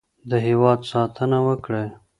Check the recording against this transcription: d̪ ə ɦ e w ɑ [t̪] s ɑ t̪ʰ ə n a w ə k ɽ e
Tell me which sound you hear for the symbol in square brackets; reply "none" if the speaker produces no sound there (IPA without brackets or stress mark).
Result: d̪